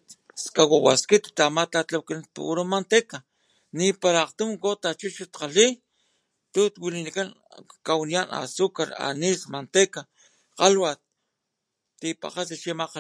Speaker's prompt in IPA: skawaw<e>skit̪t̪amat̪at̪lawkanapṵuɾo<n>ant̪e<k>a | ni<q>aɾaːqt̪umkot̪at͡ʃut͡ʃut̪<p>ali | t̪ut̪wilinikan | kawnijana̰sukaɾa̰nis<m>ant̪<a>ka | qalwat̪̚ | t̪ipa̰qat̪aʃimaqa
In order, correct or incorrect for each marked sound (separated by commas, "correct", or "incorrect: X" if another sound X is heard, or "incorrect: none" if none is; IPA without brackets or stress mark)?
incorrect: a, incorrect: m, correct, incorrect: p, incorrect: q, correct, incorrect: e